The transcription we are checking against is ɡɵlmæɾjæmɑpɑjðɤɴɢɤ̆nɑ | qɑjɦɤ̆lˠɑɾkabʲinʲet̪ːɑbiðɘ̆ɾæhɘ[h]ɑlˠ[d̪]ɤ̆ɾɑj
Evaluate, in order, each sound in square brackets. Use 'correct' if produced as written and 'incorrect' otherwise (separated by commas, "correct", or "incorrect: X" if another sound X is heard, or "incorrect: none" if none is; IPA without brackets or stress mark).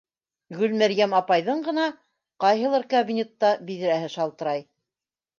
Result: incorrect: ʃ, incorrect: t̪